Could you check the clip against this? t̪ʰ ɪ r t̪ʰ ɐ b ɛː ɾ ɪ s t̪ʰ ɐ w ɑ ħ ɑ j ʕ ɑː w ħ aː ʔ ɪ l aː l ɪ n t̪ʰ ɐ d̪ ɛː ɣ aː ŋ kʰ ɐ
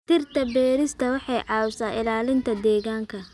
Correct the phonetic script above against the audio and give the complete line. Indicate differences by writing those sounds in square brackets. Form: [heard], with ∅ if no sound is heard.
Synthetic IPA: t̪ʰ ɪ r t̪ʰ ɐ b ɛː ɾ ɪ s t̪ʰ ɐ w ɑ ħ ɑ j ʕ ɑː w [s] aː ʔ ɪ l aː l ɪ n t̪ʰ ɐ d̪ ɛː ɣ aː ŋ kʰ ɐ